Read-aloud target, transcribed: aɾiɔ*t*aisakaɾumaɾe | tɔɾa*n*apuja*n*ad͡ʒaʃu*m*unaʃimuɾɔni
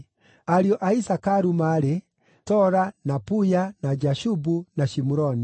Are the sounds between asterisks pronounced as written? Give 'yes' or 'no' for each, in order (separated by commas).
no, yes, yes, no